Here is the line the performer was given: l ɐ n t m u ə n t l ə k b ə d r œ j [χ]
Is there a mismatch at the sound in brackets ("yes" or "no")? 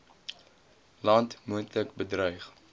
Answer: no